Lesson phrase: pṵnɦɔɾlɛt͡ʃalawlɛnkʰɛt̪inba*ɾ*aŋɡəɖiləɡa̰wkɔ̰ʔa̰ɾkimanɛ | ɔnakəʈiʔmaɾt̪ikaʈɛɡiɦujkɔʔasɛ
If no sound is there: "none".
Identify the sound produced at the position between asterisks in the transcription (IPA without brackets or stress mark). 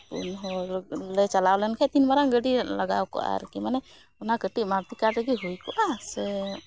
ɾ